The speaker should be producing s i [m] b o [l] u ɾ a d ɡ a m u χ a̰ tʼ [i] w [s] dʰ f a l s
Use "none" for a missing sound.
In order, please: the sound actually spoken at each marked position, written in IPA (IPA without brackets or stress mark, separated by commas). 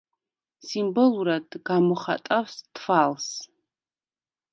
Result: m, l, a, s